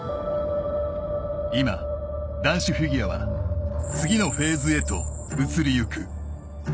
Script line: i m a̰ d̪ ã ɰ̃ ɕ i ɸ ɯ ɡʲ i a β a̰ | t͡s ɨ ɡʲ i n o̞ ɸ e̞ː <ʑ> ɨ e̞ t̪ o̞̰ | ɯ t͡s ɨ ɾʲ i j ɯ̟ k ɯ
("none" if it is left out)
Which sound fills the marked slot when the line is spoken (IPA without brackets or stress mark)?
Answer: z